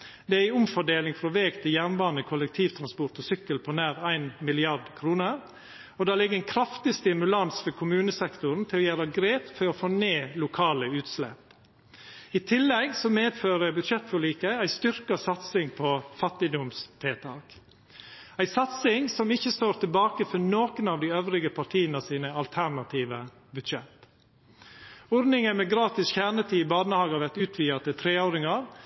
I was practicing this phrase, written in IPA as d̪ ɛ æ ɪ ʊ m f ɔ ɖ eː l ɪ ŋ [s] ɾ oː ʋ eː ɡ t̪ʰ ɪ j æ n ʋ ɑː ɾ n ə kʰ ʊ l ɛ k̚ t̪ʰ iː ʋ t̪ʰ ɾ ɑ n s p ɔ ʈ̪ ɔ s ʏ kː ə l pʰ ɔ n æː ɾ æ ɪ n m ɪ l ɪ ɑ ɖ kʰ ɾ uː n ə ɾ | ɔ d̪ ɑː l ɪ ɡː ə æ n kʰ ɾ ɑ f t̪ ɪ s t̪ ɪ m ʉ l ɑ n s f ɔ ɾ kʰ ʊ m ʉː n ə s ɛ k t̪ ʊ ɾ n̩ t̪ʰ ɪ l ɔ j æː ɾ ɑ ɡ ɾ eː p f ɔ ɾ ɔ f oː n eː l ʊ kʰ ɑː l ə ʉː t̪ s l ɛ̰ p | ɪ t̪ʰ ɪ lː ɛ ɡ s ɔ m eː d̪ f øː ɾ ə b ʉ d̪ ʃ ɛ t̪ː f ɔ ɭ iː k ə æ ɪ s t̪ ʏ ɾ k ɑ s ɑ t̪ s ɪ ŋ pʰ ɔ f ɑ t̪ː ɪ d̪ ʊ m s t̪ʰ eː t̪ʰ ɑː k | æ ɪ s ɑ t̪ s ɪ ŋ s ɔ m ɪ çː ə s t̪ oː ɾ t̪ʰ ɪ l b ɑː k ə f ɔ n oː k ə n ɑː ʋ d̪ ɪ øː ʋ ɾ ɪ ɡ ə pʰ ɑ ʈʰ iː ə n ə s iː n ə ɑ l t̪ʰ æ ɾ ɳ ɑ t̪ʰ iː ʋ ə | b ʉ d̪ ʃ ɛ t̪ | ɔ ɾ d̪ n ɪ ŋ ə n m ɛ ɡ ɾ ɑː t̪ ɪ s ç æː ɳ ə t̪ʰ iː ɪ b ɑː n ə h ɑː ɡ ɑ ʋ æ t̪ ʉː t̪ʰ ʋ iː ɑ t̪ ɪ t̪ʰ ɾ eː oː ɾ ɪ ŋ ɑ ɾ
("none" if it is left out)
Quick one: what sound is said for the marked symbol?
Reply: f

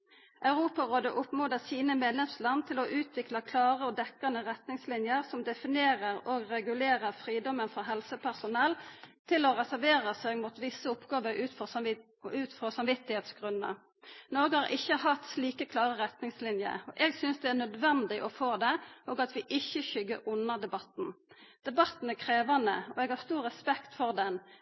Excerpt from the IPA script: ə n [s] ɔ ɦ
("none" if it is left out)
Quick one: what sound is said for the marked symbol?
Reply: f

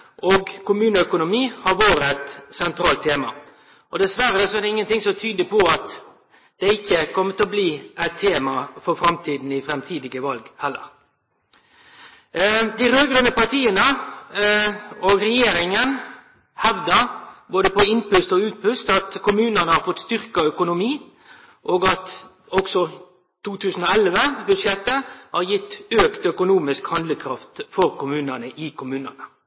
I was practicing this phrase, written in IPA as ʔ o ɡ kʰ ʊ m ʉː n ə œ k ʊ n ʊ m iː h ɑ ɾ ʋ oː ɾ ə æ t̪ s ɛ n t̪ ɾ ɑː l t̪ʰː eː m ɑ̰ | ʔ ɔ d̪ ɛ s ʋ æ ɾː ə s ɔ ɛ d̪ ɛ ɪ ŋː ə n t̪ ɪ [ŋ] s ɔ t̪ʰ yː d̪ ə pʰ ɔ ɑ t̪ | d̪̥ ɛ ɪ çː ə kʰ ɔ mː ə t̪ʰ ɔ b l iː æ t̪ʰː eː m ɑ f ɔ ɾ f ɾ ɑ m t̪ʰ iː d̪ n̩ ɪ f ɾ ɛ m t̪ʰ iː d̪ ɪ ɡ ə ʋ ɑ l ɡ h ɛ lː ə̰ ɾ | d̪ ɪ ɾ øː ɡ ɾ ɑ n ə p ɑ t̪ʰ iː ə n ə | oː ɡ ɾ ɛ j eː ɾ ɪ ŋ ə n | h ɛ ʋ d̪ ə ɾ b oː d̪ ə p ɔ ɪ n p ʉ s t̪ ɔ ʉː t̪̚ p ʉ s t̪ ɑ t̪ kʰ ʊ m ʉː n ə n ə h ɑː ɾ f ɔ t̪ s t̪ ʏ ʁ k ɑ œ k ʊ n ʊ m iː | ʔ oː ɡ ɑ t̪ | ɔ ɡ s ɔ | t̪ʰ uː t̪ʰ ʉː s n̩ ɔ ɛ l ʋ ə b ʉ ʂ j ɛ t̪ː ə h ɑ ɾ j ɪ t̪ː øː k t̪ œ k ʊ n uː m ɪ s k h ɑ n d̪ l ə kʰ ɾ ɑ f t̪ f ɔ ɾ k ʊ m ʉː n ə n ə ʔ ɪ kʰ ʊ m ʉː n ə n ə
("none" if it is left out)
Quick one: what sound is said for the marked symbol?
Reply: ŋ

